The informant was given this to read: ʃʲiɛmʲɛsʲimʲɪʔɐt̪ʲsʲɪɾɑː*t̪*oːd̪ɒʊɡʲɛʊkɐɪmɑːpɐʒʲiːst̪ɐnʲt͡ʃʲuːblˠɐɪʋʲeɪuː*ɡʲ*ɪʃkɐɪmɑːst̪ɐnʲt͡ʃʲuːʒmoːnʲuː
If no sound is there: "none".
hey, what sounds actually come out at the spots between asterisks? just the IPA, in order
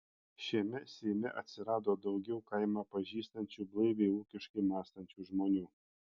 d̪, kʲ

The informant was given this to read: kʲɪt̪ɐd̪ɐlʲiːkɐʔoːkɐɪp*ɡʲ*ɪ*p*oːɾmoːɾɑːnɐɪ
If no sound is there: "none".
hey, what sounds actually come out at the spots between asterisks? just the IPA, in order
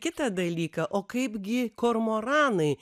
ɡʲ, k

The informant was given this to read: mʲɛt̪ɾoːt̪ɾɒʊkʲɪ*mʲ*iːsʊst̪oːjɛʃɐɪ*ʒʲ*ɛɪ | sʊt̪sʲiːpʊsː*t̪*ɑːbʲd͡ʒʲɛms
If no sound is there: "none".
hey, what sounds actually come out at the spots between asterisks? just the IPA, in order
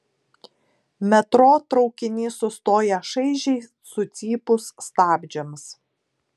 nʲ, ʒʲ, t̪

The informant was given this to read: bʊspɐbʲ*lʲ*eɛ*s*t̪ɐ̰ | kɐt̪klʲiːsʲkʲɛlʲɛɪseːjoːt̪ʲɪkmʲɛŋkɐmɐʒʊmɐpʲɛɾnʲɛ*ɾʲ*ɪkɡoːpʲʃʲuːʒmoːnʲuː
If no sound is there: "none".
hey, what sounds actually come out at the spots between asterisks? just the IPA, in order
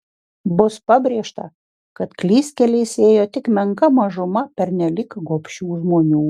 ɾʲ, ʃ, lʲ

